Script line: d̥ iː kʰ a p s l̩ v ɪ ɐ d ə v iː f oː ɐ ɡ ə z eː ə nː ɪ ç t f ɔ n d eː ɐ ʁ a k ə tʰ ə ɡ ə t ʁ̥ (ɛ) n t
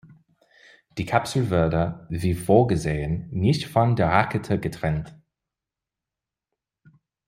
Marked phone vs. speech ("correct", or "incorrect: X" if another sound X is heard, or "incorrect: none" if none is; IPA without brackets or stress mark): correct